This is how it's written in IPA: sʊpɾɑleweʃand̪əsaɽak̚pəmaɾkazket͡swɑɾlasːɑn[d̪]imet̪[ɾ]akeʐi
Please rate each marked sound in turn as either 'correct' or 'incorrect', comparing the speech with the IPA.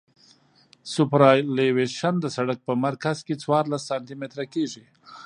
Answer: incorrect, correct

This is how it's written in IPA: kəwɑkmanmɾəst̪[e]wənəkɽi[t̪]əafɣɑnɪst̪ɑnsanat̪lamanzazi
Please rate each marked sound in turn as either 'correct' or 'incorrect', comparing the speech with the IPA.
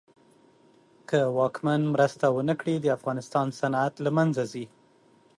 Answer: incorrect, incorrect

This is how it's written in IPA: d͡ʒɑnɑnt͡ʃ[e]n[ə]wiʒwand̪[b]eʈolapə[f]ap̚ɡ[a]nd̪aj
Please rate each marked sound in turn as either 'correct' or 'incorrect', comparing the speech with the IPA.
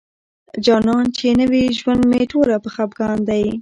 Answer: correct, correct, incorrect, incorrect, incorrect

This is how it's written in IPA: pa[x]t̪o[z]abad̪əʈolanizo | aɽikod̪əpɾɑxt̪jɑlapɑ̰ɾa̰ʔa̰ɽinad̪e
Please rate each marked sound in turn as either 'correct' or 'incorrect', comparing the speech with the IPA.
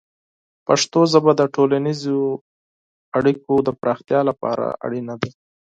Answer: incorrect, correct

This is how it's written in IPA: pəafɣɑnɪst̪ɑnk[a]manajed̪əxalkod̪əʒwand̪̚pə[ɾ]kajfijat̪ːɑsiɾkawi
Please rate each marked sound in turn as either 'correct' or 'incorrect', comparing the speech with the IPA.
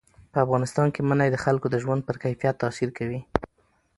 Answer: incorrect, correct

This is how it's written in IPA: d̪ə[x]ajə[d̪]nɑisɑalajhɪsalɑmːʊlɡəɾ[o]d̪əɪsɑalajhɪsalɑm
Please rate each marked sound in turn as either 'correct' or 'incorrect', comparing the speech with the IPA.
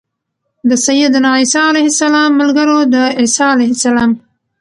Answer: incorrect, correct, correct

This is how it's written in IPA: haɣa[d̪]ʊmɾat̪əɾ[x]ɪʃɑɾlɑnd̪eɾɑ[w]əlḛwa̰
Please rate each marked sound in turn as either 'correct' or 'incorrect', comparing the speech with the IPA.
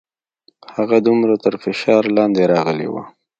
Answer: correct, incorrect, incorrect

